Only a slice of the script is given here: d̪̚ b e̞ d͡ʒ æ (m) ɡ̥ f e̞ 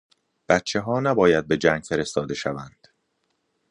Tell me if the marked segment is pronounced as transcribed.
no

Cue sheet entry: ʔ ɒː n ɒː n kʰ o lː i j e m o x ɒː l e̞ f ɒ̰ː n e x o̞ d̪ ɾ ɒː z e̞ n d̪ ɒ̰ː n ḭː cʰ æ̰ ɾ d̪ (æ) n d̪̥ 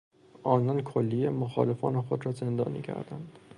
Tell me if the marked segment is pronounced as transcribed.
yes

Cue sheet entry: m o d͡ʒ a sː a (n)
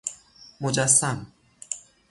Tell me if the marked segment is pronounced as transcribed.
no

